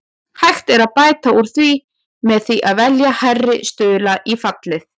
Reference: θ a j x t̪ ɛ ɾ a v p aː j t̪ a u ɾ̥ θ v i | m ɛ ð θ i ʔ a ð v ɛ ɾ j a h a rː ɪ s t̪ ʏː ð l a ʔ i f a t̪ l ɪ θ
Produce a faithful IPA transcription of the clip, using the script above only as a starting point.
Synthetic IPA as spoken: h a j x t̪ ɛ ɾ a ð p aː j t̪ a u ɾ̥ θ v i | m ɛ ð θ i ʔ a ð v ɛ l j a h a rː ɪ s t̪ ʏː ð l a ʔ i f a t̪ l ɪ θ